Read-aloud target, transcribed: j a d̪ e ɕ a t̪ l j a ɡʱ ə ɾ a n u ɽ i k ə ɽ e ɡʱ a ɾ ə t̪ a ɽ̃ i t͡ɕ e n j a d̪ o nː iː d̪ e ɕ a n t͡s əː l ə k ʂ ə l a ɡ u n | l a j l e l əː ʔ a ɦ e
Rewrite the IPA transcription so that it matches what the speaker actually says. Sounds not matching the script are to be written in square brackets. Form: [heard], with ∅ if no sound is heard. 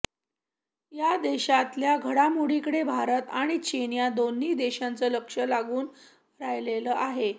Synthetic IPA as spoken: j a d̪ e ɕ a t̪ l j a ɡʱ ə [ɽ] a [m] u ɽ i k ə ɽ e [bʱ] a ɾ ə t̪ a ɽ̃ i t͡ɕ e n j a d̪ o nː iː d̪ e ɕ a n t͡s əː l ə k ʂ ə l a ɡ [uː] n | [ɾ] a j l e l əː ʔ a ɦ e

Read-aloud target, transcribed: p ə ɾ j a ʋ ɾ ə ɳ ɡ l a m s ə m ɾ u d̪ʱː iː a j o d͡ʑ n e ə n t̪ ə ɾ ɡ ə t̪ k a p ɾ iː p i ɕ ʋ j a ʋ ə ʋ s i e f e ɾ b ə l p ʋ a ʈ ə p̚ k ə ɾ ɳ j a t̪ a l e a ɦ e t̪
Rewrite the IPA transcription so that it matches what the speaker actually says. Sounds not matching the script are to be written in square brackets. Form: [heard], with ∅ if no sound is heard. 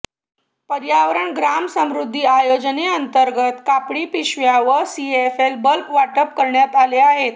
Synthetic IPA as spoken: p ə ɾ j a ʋ ɾ ə ɳ ɡ [ɾ] a m s ə m ɾ u d̪ʱː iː a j o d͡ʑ n e ə n t̪ ə ɾ ɡ ə t̪ k a p [ɽ] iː p i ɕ ʋ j a ʋ ə [∅] s i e f e [l] b ə l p ʋ a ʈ ə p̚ k ə ɾ ɳ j a t̪ a l e a ɦ e t̪

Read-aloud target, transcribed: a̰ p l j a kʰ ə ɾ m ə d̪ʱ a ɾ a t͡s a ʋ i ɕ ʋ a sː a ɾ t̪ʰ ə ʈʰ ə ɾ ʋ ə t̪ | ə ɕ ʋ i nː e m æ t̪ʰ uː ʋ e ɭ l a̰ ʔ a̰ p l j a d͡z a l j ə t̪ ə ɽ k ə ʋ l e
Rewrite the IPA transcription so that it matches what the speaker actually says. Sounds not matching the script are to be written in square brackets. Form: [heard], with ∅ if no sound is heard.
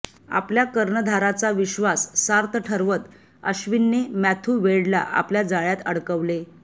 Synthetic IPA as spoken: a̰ p l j a [k] ə ɾ [ɳ] ə d̪ʱ a ɾ a t͡s a ʋ i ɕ ʋ a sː a ɾ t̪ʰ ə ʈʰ ə ɾ ʋ ə t̪ | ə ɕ ʋ i nː e m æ t̪ʰ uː ʋ e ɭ l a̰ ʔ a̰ p l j a d͡z a [ɭ] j [a] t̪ ə ɽ k ə ʋ l e

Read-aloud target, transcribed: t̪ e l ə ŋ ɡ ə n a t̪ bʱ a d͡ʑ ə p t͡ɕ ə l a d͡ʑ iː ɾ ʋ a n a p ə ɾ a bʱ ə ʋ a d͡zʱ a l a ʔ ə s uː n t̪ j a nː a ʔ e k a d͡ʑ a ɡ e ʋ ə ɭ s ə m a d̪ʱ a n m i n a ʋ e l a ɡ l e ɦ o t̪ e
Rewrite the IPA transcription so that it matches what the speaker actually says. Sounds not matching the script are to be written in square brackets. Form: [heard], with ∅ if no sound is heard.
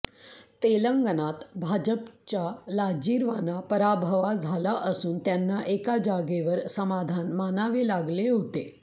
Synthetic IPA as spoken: t̪ e l ə ŋ ɡ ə n a t̪ bʱ a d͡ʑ ə p t͡ɕ [a] l a d͡ʑ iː ɾ ʋ a n a p ə ɾ a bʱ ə ʋ a d͡zʱ a l a ʔ ə s uː n t̪ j a nː a ʔ e k a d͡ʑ a ɡ e ʋ ə [ɾ] s ə m a d̪ʱ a n m [a] n a ʋ e l a ɡ l e ɦ o t̪ e

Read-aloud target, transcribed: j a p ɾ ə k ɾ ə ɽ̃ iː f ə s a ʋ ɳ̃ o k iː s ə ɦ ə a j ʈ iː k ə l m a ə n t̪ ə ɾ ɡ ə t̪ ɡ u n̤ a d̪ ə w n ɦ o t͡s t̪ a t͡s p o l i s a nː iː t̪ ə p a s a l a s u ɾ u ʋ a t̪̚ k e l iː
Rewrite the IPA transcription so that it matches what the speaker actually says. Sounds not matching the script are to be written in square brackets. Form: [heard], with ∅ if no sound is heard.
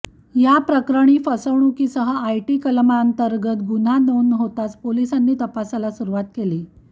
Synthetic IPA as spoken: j a p ɾ ə k ɾ ə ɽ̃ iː f ə s [ə] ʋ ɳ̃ [u] k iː s ə ɦ ə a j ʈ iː k ə l m a ə n t̪ ə ɾ ɡ ə t̪ ɡ u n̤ a d̪ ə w n ɦ o [∅] t̪ a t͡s p o l i s a nː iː t̪ ə p a s a l a s u ɾ u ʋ a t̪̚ k e l iː

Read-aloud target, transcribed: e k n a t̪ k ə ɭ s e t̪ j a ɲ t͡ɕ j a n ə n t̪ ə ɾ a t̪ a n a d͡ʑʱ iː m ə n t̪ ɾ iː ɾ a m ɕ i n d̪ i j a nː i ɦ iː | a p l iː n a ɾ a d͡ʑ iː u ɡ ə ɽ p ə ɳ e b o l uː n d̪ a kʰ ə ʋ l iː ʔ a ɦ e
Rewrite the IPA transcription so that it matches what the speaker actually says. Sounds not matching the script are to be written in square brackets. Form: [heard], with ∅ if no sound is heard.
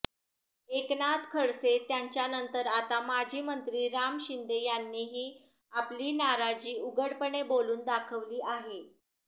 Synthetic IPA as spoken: e k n a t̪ [kʰ] ə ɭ s e t̪ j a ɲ t͡ɕ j a n ə n t̪ ə ɾ a t̪ a [m] a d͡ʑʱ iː m ə n t̪ ɾ iː ɾ a m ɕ i n d̪ [e] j a nː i ɦ iː | a p l iː n a ɾ a d͡ʑ iː u ɡ ə ɽ p ə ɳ e b o l uː n d̪ a kʰ ə ʋ l iː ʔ a ɦ e

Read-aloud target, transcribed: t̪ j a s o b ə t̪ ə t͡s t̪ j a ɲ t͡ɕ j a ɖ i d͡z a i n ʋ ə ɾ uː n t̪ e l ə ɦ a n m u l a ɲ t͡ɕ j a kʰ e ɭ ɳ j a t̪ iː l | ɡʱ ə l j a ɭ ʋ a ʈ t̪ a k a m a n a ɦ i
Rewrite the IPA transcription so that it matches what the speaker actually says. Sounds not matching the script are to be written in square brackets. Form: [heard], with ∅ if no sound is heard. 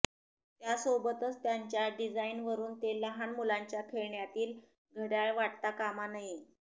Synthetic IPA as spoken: t̪ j a s o b ə t̪ ə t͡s t̪ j a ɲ t͡ɕ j a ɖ i d͡z a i n ʋ ə ɾ uː n t̪ e l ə ɦ a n m u l a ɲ t͡ɕ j a kʰ e ɭ ɳ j a t̪ iː l | ɡʱ ə [ɽ] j a ɭ ʋ a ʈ t̪ a k a m a n a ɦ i

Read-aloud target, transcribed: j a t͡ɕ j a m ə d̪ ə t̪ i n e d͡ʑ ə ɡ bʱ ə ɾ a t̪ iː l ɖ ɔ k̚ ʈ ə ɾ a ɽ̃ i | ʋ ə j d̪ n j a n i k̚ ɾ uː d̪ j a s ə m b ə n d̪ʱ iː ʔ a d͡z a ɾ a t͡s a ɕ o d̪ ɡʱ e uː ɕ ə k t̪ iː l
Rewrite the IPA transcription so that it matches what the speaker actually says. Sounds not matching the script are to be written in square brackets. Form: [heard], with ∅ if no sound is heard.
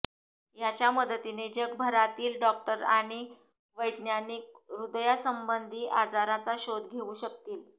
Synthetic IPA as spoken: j a t͡ɕ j a m ə d̪ ə t̪ i n e d͡ʑ ə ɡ bʱ ə ɾ a t̪ iː l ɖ ɔ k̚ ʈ ə ɾ a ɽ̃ i | ʋ ə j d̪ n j a n i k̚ ɾ [u] d̪ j a s ə m b ə n d̪ʱ iː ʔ a d͡z a ɾ a t͡s a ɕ o d̪ ɡʱ e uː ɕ ə k t̪ iː l

